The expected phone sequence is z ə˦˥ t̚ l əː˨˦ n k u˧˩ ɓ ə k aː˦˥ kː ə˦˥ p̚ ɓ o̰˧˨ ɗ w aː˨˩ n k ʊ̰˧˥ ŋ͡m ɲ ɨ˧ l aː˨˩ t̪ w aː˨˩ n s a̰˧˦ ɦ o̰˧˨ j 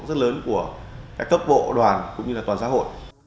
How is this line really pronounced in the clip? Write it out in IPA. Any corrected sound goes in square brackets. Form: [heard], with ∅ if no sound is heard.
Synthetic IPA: z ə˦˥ t̚ l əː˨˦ n k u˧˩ [∅] ə k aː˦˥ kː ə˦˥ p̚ ɓ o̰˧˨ ɗ w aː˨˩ n k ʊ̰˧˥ ŋ͡m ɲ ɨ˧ l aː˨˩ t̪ w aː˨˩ n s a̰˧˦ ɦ o̰˧˨ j